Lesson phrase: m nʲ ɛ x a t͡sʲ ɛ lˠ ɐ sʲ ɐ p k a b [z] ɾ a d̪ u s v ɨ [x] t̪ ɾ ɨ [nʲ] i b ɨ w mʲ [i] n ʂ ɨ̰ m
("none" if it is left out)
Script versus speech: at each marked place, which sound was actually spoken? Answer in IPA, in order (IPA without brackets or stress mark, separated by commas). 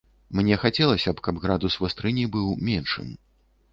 ɣ, s, nʲ, ɛ